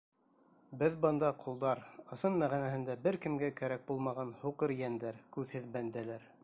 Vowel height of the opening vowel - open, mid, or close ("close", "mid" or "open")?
mid